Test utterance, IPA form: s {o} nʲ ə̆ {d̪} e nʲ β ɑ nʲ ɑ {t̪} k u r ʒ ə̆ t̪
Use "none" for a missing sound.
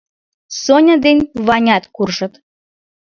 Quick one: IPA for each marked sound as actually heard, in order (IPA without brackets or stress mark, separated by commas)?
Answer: o, d̪, t̪